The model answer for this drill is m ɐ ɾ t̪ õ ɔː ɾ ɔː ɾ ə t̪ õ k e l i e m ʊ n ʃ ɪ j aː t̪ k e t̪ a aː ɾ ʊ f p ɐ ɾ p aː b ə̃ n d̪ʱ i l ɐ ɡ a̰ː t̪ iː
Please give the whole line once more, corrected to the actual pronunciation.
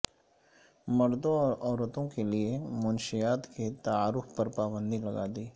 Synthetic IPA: m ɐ ɾ d̪ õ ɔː ɾ ɔː ɾ ə t̪ õ k e l i e m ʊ n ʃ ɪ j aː t̪ k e t̪ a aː ɾ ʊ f p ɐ ɾ p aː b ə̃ n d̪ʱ i l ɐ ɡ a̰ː d̪ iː